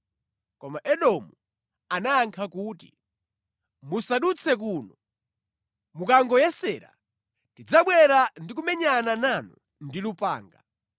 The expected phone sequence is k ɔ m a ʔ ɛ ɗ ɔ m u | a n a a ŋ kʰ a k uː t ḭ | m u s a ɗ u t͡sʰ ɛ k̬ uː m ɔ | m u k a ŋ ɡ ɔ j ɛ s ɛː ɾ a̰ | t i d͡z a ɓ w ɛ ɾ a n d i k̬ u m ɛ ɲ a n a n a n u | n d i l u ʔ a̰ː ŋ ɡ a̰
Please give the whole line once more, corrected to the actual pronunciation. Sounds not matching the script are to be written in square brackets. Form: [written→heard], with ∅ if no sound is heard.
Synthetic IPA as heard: k ɔ m a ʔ ɛ ɗ ɔ m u | a n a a ŋ kʰ a k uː t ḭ | m u s a ɗ u t͡sʰ ɛ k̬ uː [m→n] ɔ | m u k a ŋ ɡ ɔ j ɛ s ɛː ɾ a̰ | t i d͡z a ɓ w ɛ ɾ a n d i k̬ u m ɛ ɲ a n a n a n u | n d i l u [ʔ→p] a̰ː ŋ ɡ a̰